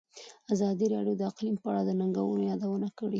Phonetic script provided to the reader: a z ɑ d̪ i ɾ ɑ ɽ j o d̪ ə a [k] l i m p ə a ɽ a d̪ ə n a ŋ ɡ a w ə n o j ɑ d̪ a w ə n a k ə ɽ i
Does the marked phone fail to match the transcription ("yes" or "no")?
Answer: yes